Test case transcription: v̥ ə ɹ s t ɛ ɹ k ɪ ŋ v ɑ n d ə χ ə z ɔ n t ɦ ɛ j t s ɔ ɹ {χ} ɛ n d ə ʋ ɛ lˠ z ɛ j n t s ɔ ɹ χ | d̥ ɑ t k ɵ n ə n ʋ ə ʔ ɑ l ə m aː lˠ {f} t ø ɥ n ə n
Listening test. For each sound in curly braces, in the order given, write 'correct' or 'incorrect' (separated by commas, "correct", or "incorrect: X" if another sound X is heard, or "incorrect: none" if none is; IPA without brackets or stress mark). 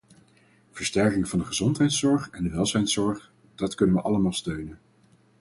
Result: correct, incorrect: s